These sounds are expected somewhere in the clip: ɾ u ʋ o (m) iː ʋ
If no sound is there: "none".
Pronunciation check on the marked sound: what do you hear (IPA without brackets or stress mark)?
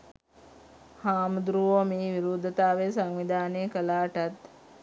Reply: m